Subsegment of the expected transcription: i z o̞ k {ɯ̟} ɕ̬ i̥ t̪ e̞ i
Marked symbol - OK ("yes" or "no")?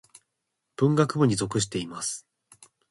yes